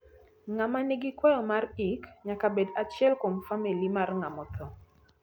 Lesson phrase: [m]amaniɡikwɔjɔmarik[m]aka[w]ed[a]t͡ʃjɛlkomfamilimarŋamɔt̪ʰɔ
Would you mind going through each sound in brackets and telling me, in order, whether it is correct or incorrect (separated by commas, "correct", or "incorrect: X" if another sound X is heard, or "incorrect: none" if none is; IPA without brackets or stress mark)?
incorrect: ŋ, incorrect: ɲ, incorrect: b, correct